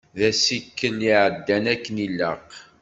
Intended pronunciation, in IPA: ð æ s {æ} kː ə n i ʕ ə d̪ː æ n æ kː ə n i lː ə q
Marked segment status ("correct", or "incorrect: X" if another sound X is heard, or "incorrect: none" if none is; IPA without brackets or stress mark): incorrect: i